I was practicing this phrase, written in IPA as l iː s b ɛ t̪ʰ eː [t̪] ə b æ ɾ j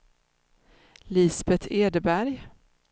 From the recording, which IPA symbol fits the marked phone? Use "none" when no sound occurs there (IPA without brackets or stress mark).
d̪